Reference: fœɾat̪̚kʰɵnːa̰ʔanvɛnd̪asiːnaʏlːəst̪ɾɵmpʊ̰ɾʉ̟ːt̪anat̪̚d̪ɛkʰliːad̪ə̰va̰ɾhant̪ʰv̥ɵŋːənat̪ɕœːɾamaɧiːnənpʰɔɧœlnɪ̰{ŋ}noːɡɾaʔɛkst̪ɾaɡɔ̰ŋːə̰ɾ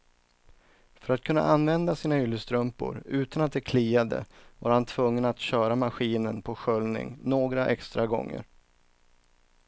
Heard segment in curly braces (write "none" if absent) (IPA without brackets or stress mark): ŋ